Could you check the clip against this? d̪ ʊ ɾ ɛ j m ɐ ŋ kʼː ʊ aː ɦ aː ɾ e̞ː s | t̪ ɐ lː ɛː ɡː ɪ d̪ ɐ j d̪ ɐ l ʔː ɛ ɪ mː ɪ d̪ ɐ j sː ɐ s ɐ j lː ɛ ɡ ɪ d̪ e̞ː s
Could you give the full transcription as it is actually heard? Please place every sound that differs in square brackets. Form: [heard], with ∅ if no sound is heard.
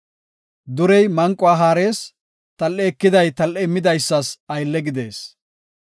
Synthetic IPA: d̪ ʊ ɾ ɛ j m ɐ ŋ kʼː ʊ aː ɦ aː ɾ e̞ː s | t̪ ɐ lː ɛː [kː] ɪ d̪ ɐ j [t̪] ɐ l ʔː ɛ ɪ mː ɪ d̪ ɐ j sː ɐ s ɐ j lː ɛ ɡ ɪ d̪ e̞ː s

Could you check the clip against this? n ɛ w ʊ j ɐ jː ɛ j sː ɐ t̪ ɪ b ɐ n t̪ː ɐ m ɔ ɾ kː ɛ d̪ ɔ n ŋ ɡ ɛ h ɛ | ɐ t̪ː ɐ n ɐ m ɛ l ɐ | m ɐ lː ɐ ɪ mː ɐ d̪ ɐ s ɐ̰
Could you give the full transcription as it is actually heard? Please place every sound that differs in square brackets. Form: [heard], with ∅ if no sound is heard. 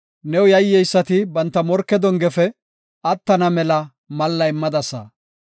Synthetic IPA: n ɛ w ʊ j ɐ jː ɛ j sː ɐ t̪ ɪ b ɐ n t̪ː ɐ m ɔ ɾ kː ɛ d̪ ɔ [∅] ŋ ɡ ɛ [f] ɛ | ɐ t̪ː ɐ n ɐ m ɛ l ɐ | m ɐ lː ɐ ɪ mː ɐ d̪ ɐ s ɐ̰

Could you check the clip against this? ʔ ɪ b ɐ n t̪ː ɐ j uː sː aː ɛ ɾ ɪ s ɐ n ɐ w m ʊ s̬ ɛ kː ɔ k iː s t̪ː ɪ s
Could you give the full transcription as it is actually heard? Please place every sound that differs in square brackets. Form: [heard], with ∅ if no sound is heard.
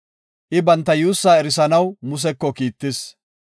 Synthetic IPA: ʔ ɪ b ɐ n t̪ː ɐ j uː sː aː ɛ ɾ ɪ s ɐ n ɐ w m ʊ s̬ ɛ kː ɔ k iː [∅] t̪ː ɪ s

